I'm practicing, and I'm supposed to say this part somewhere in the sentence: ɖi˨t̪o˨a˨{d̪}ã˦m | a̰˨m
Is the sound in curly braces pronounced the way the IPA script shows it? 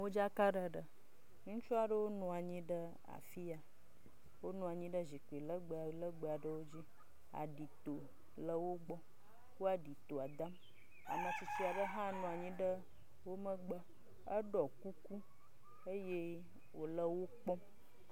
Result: yes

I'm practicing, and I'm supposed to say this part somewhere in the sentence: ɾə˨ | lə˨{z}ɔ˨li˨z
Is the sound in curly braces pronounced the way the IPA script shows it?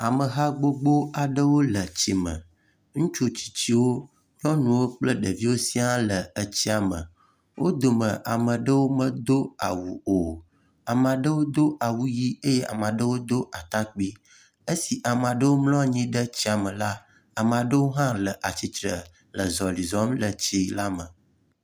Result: yes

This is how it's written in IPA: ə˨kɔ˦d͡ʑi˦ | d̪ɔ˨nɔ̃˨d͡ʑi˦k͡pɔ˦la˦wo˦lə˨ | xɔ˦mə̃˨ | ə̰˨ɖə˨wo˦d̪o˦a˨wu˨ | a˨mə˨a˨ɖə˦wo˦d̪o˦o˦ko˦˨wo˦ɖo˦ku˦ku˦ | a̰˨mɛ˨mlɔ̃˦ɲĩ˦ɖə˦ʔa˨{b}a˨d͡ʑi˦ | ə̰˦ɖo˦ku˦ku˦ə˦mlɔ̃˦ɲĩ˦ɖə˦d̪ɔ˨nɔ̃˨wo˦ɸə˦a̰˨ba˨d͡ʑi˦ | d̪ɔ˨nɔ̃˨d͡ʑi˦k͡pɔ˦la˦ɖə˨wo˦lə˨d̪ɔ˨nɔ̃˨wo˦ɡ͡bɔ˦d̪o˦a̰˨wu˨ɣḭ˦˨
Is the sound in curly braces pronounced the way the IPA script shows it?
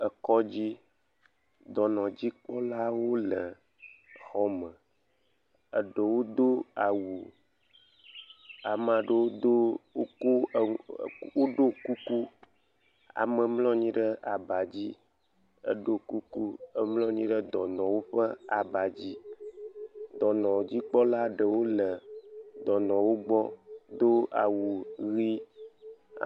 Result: yes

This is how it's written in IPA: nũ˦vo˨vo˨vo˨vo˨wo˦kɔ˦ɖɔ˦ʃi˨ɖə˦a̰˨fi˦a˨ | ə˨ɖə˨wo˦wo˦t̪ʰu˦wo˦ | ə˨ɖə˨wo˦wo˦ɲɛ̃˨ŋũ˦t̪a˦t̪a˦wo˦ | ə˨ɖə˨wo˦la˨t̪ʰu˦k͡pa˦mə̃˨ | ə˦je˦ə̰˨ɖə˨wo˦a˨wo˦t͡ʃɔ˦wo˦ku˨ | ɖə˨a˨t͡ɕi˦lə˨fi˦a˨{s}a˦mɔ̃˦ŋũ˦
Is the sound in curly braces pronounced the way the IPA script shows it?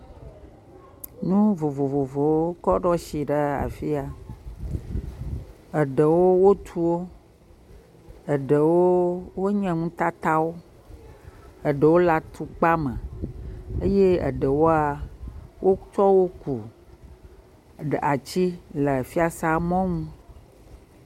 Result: yes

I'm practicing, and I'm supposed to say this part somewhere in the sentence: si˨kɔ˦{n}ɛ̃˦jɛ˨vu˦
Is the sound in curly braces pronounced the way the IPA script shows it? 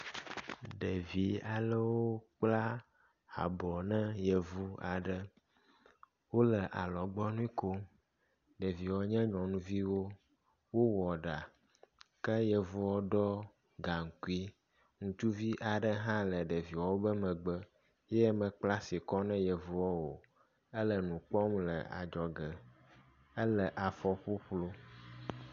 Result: yes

